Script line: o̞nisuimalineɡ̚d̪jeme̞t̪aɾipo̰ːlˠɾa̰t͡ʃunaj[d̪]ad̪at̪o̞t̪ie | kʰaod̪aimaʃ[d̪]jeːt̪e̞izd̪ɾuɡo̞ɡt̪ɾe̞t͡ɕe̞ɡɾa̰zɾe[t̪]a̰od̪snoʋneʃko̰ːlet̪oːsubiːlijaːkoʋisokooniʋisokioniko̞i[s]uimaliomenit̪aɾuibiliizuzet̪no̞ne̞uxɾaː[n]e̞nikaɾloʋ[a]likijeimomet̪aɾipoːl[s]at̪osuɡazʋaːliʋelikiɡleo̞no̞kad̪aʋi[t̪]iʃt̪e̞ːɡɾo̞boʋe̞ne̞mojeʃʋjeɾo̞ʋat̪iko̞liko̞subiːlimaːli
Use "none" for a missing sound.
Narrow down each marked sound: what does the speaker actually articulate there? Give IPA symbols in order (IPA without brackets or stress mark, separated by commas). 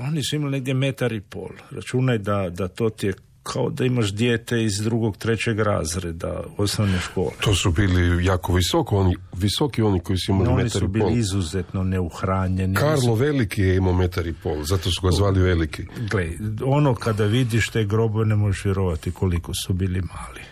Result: d̪, d̪, d̪, s, ɲ, e, z, d̪